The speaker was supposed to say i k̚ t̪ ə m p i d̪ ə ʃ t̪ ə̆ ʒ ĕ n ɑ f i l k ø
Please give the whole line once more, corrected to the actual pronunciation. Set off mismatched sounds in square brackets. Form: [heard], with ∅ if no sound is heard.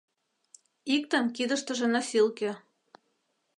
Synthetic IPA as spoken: i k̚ t̪ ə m [k] i d̪ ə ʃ t̪ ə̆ ʒ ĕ n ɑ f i l k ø